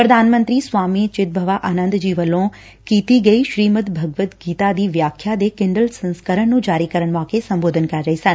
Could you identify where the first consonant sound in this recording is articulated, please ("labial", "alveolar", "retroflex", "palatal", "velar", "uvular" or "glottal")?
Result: labial